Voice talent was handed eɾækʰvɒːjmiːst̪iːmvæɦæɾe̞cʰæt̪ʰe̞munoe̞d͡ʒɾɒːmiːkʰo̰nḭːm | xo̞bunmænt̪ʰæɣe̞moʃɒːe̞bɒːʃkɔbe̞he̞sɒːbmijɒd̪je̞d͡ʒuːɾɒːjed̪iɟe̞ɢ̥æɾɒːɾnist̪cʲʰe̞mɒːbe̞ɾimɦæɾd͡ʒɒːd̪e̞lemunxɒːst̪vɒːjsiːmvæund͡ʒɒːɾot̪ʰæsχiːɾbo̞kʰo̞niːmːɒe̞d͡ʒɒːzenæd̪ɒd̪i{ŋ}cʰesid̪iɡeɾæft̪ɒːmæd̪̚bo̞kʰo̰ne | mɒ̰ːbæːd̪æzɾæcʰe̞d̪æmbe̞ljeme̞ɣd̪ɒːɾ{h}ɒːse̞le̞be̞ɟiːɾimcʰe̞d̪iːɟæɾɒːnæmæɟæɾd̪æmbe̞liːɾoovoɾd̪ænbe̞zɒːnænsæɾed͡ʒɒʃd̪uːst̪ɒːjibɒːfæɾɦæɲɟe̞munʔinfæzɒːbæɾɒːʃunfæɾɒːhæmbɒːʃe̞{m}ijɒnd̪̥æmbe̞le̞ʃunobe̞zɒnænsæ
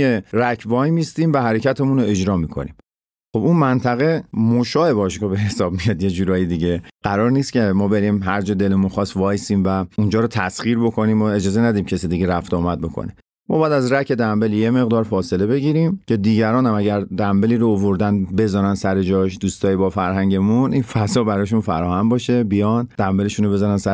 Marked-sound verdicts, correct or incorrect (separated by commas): incorrect, incorrect, incorrect